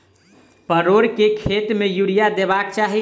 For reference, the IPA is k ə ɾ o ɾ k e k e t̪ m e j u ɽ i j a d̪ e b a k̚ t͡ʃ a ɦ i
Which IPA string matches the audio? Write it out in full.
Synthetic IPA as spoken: p ə ɾ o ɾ k e kʰ e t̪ m e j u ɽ i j a d̪ e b a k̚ t͡ʃ a ɦ i